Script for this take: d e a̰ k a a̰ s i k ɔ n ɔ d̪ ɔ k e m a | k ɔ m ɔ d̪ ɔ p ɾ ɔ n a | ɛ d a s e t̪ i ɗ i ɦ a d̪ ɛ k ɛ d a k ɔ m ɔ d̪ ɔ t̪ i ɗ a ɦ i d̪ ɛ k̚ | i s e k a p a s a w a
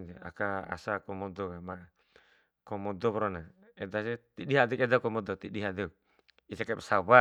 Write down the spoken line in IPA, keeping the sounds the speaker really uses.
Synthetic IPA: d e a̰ k a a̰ s a k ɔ m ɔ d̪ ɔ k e m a | k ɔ m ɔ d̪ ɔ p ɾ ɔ n a | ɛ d a s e t̪ i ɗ i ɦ a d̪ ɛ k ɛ d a k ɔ m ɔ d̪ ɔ t̪ i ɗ i ɦ a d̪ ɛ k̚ | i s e k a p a s a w a